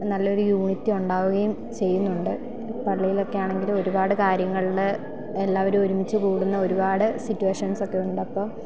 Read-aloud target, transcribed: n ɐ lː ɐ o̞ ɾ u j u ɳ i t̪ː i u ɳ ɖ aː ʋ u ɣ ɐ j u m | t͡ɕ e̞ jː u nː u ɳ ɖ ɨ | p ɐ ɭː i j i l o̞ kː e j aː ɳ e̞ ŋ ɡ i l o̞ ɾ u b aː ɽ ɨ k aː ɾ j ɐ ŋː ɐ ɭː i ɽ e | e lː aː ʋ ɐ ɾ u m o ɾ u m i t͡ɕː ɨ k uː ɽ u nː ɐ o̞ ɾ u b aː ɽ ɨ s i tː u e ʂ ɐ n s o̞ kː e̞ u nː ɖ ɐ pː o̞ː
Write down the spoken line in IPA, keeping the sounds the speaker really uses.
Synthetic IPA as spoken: n ɐ lː ɐ o̞ ɾ u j uː ɳ i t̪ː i u ɳ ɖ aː ʋ u ɣ ɐ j u m | t͡ɕ e̞ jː u nː u ɳ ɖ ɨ | p ɐ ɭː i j i l o̞ kː e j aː ɳ e̞ ŋ ɡ i l o̞ ɾ u b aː ɽ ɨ k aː ɾ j ɐ ŋː ɐ ɭ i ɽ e | e lː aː ʋ ɐ ɾ u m o ɾ u m i t͡ɕː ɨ k uː ɽ u nː ɐ o̞ ɾ u b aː ɽ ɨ s i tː u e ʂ ɐ n s o̞ kː e̞ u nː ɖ ɐ pː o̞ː